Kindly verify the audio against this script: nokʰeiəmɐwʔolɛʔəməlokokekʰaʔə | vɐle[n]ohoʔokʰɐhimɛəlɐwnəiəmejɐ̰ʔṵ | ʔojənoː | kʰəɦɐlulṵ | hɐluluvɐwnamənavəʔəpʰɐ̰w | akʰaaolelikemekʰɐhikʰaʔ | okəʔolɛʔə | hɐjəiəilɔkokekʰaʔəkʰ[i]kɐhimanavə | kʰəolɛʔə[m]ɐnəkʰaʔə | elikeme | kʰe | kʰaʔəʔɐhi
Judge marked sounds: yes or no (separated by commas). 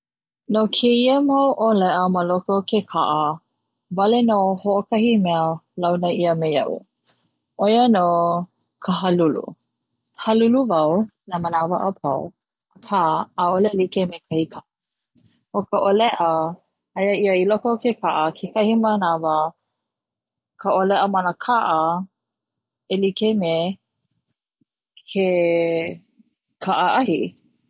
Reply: yes, no, yes